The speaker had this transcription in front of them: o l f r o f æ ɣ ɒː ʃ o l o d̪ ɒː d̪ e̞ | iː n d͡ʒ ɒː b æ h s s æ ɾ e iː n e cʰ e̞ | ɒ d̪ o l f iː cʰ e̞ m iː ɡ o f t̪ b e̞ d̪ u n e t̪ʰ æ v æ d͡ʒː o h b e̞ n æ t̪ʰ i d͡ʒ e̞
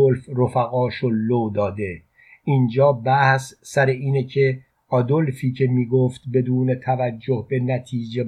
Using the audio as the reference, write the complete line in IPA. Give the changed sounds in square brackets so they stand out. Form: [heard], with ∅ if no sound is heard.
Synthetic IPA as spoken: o l f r o f æ ɣ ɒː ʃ o l o d̪ ɒː d̪ e̞ | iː n d͡ʒ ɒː b æ h s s æ ɾ e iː n e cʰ e̞ | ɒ d̪ o l f iː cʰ e̞ m iː ɡ o f t̪ b e̞ d̪ [uː] n e t̪ʰ æ v æ d͡ʒː o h b e̞ n æ t̪ʰ [iː] d͡ʒ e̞